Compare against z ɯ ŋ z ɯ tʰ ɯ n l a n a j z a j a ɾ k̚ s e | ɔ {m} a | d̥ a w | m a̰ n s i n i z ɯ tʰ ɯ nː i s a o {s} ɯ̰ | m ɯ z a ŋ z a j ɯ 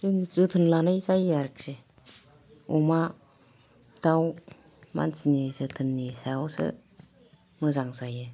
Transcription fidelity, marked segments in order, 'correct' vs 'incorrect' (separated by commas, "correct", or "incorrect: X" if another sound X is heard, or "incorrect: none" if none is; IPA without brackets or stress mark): correct, correct